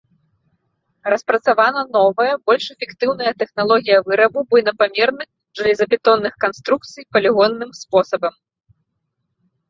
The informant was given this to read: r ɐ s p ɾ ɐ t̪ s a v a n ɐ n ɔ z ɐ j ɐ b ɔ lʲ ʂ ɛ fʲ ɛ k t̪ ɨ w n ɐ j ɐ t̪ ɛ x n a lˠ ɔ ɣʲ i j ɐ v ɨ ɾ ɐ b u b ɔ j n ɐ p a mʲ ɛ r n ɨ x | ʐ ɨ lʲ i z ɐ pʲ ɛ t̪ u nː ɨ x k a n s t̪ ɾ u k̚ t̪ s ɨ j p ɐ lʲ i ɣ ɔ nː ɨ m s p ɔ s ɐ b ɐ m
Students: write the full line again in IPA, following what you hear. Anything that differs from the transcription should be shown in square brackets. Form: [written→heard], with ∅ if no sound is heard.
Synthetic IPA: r ɐ s p ɾ ɐ t̪ s a v a n ɐ n ɔ [z→v] ɐ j ɐ b ɔ lʲ ʂ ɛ fʲ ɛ k t̪ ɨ w n ɐ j ɐ t̪ ɛ x n a lˠ ɔ ɣʲ i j ɐ v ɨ ɾ ɐ b u b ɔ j n ɐ p a mʲ ɛ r n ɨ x | ʐ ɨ lʲ i z ɐ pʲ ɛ t̪ [u→ɔ] nː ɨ x k a n s t̪ ɾ u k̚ t̪ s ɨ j p ɐ lʲ i ɣ ɔ nː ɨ m s p ɔ s ɐ b ɐ m

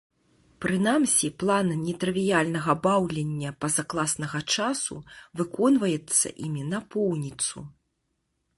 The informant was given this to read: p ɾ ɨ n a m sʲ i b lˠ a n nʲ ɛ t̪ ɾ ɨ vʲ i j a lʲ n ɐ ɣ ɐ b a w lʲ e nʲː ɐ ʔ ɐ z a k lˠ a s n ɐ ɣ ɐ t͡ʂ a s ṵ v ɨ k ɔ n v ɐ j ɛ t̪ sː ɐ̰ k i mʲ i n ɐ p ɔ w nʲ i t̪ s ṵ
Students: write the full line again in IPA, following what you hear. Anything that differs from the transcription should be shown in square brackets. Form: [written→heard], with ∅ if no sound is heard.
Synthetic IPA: p ɾ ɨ n a m sʲ i [b→p] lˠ a n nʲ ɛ t̪ ɾ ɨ vʲ i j a lʲ n ɐ ɣ ɐ b a w lʲ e nʲː ɐ [ʔ→p] ɐ z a k lˠ a s n ɐ ɣ ɐ t͡ʂ a s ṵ v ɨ k ɔ n v ɐ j ɛ t̪ sː ɐ̰ [k→ʔ] i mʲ i n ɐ p ɔ w nʲ i t̪ s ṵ

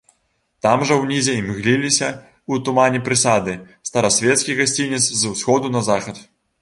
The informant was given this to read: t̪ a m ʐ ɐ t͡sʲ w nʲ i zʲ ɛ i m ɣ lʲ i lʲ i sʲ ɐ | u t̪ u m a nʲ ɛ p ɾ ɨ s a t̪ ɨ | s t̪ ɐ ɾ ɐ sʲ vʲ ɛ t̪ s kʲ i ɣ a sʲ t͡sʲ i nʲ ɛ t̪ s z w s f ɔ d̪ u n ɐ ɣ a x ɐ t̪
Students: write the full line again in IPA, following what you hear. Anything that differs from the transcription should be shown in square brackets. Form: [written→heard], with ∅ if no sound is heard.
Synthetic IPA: t̪ a m ʐ ɐ [t͡sʲ→∅] w nʲ i zʲ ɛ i m ɣ lʲ i lʲ i sʲ ɐ | u t̪ u m a nʲ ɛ p ɾ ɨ s a [t̪→d̪] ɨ | s t̪ ɐ ɾ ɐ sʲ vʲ ɛ t̪ s kʲ i ɣ a sʲ t͡sʲ i nʲ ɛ t̪ s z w s [f→x] ɔ d̪ u n ɐ [ɣ→z] a x ɐ t̪

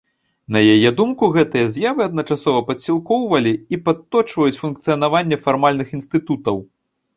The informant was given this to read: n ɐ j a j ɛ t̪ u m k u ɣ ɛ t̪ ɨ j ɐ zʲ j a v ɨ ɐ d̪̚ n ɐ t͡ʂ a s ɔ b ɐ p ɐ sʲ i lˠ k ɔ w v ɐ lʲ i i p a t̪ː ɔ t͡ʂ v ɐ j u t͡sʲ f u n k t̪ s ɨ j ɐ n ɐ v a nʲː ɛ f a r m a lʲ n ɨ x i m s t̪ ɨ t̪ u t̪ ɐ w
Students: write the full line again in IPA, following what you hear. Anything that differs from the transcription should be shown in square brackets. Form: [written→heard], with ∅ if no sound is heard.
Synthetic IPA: n ɐ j a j ɛ [t̪→d̪] u m k u ɣ ɛ t̪ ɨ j ɐ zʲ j a v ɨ ɐ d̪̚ n ɐ t͡ʂ a s ɔ [b→v] ɐ p ɐ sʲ i lˠ k ɔ w v ɐ lʲ i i p a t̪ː ɔ t͡ʂ v ɐ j u t͡sʲ f u n k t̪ s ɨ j ɐ n [ɐ→a] v a nʲː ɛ f a r m a lʲ n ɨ x i [m→n] s t̪ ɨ t̪ u t̪ ɐ w

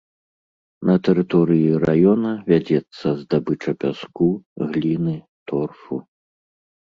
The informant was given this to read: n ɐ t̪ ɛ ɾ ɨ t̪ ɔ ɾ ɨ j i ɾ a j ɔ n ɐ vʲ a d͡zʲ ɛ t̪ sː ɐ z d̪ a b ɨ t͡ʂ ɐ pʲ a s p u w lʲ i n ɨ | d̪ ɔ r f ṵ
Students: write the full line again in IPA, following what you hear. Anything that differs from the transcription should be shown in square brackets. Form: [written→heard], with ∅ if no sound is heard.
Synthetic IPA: n ɐ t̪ ɛ ɾ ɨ t̪ ɔ ɾ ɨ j i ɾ a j ɔ n ɐ vʲ a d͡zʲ ɛ t̪ sː ɐ z d̪ a b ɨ t͡ʂ ɐ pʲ a s [p→k] u [w→ɣ] lʲ i n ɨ | [d̪→t̪] ɔ r f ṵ

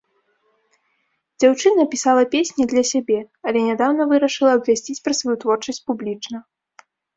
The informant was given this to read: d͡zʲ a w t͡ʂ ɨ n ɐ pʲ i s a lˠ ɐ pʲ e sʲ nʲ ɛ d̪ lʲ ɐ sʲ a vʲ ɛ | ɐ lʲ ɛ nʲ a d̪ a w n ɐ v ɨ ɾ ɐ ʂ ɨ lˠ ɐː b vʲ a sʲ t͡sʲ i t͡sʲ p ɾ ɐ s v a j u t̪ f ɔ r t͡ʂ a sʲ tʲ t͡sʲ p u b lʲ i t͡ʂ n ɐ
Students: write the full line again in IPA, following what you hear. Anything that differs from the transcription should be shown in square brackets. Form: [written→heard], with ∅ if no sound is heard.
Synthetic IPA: d͡zʲ a w t͡ʂ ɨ n ɐ pʲ i s a lˠ ɐ pʲ e sʲ nʲ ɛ d̪ lʲ ɐ sʲ a [vʲ→bʲ] ɛ | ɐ lʲ ɛ nʲ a d̪ a w n ɐ v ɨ ɾ ɐ ʂ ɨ lˠ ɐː b vʲ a sʲ t͡sʲ i t͡sʲ p ɾ ɐ s v a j u t̪ [f→v] ɔ r t͡ʂ [a→ɐ] sʲ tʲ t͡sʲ p u b lʲ i t͡ʂ n ɐ

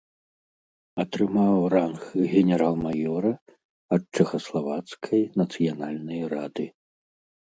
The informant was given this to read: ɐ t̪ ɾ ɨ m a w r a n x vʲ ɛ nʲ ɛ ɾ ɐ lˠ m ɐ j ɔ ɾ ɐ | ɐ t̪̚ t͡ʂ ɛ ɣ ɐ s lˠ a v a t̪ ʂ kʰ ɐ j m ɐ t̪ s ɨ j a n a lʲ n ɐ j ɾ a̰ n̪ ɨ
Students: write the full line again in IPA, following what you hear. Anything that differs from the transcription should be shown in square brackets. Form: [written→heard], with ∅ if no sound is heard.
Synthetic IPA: ɐ t̪ ɾ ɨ m a w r a n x [vʲ→ɣʲ] ɛ nʲ ɛ ɾ [ɐ→a] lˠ m [ɐ→a] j ɔ ɾ ɐ | ɐ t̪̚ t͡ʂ ɛ [ɣ→x] ɐ s lˠ a v a t̪ [ʂ→s] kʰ ɐ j [m→n] ɐ t̪ s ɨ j a n a lʲ n ɐ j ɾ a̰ [n̪→d̪] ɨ

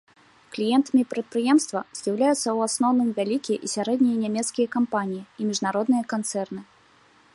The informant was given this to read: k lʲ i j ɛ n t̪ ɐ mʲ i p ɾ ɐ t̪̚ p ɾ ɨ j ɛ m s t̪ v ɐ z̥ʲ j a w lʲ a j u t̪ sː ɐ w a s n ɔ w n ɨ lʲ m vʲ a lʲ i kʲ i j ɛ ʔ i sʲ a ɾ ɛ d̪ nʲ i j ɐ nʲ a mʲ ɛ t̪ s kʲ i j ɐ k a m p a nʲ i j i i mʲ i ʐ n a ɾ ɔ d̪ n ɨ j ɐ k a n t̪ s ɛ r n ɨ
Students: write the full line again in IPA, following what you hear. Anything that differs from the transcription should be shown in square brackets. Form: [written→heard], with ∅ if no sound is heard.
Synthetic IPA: k lʲ i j ɛ n t̪ ɐ mʲ i p ɾ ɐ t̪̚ p ɾ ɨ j ɛ m s t̪ v ɐ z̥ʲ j a w lʲ a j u t̪ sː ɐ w a s n ɔ w n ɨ [lʲ→∅] m vʲ a lʲ i kʲ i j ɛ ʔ i sʲ a ɾ ɛ d̪ nʲ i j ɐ nʲ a mʲ ɛ t̪ s kʲ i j ɐ k a m p a nʲ i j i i mʲ i ʐ n a ɾ ɔ d̪ n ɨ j ɐ k a n t̪ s ɛ r n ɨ

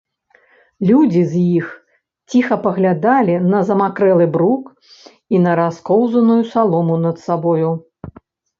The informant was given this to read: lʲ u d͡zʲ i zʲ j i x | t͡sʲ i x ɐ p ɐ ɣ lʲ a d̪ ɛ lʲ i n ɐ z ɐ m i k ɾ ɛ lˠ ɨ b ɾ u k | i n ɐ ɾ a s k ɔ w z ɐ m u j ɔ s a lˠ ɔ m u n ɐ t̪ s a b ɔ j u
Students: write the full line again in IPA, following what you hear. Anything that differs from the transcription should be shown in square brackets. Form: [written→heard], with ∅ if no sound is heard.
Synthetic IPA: lʲ u d͡zʲ i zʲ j i x | t͡sʲ i x ɐ p ɐ ɣ lʲ a d̪ [ɛ→a] lʲ i n ɐ z ɐ m [i→a] k ɾ ɛ lˠ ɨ b ɾ u k | i n ɐ ɾ a s k ɔ w z ɐ [m→n] u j [ɔ→u] s a lˠ ɔ m u n ɐ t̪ s a b ɔ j u

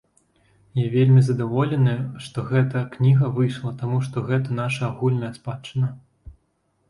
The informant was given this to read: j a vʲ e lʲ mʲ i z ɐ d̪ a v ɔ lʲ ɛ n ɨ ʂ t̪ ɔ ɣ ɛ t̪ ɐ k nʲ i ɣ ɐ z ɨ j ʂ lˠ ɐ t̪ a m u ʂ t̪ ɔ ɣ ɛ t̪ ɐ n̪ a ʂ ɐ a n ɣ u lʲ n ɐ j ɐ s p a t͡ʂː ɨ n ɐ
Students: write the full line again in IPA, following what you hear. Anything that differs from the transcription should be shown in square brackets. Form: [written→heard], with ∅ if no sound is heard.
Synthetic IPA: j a vʲ e lʲ mʲ i z ɐ d̪ a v ɔ lʲ ɛ n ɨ ʂ t̪ ɔ ɣ ɛ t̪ ɐ k nʲ i ɣ ɐ [z→v] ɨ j ʂ lˠ ɐ t̪ a m u ʂ t̪ ɔ ɣ ɛ t̪ ɐ n̪ a ʂ ɐ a [n→∅] ɣ u lʲ n ɐ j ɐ s p a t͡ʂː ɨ n ɐ

